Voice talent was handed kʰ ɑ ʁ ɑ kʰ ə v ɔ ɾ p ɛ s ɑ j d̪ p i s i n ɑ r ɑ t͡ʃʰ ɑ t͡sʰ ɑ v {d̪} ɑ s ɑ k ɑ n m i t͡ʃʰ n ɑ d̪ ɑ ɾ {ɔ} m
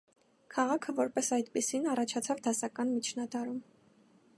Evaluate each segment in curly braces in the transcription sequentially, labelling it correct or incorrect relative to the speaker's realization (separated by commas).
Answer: correct, incorrect